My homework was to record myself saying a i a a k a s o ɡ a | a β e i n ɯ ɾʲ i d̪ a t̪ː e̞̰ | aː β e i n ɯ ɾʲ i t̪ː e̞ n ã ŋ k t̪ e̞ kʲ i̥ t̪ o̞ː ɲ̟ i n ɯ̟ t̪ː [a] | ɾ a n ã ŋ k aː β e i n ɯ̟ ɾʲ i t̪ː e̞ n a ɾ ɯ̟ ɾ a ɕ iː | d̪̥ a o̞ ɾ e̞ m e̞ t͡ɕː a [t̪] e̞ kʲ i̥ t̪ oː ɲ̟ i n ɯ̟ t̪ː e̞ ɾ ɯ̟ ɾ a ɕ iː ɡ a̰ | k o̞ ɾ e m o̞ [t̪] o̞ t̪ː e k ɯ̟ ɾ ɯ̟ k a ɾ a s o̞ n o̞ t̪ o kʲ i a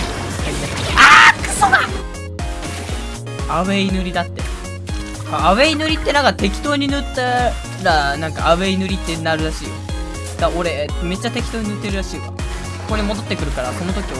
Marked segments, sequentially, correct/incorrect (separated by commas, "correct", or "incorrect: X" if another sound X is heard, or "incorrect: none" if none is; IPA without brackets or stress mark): correct, correct, incorrect: d̪